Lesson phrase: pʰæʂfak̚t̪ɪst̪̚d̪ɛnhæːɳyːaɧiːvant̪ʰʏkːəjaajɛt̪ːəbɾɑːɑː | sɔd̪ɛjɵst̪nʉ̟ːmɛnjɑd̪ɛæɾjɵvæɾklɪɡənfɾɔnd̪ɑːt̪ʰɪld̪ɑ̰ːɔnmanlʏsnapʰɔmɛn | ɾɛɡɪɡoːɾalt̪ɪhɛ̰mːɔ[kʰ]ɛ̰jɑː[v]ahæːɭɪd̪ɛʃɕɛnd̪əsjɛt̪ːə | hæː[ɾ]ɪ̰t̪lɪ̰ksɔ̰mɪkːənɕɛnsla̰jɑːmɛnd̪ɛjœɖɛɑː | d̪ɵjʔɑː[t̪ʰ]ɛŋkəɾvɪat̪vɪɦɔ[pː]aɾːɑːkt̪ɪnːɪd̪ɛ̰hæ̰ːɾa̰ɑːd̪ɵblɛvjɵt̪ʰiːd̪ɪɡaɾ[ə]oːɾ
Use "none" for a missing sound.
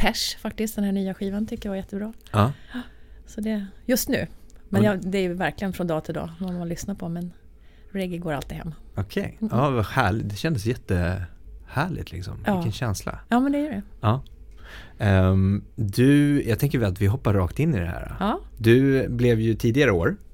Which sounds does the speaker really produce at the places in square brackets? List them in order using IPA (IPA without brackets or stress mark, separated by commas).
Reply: kʰ, v, ɭ, t̪ʰ, pː, ə